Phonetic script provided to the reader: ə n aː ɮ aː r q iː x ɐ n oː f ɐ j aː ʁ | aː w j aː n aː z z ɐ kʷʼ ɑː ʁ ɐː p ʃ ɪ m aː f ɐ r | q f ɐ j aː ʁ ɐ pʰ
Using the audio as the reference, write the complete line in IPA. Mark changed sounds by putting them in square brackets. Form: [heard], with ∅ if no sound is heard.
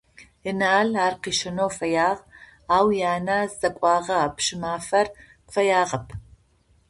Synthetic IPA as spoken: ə n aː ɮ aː r q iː [ʃ] ɐ n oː f ɐ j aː ʁ | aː w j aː n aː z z ɐ kʷʼ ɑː ʁ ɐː p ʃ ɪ m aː f ɐ r | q f ɐ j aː ʁ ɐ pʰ